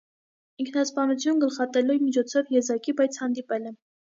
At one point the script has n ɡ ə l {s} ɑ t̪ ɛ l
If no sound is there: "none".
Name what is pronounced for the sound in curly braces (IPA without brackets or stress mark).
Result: χ